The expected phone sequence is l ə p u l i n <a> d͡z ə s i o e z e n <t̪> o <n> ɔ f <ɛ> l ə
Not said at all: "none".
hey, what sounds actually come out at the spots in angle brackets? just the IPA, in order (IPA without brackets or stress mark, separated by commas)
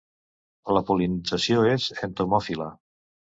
i, t̪, m, i